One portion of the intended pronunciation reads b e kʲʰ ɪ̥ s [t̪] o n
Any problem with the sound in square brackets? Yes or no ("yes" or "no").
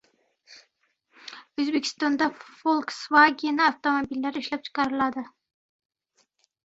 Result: no